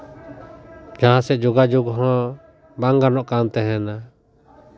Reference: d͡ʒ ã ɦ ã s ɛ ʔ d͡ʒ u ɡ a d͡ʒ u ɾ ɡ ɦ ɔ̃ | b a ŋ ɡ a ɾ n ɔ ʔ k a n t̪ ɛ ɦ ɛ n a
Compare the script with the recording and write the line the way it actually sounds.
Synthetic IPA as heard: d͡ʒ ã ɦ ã s ɛ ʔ d͡ʒ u ɡ a d͡ʒ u ɡ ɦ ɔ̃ | b a ŋ ɡ a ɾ n ɔ ʔ k a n t̪ ɛ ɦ ɛ n a